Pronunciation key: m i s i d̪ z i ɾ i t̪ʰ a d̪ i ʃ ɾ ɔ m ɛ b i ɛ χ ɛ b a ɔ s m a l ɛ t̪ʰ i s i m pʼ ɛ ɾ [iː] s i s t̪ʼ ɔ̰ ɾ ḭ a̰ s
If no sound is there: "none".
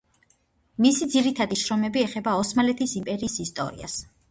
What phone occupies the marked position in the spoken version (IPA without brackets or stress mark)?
iː